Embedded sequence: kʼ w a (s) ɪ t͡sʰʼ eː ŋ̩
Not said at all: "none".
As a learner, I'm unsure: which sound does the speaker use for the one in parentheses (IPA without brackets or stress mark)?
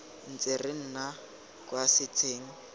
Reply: s